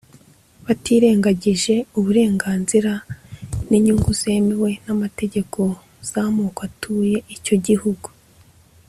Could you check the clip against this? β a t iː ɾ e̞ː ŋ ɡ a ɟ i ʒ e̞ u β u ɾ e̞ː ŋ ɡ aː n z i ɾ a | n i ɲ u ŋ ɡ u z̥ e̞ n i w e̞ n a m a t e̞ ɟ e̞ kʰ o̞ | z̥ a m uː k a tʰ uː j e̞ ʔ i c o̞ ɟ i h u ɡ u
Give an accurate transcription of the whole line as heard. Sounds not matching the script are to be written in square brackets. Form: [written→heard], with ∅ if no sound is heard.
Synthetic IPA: β a t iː ɾ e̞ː ŋ ɡ a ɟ i ʒ e̞ u β u ɾ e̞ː ŋ ɡ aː n z i ɾ a | n i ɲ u ŋ ɡ u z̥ e̞ [n→m] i w e̞ n a m a t e̞ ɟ e̞ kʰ o̞ | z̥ a m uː k a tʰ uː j e̞ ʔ i c o̞ ɟ i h u ɡ u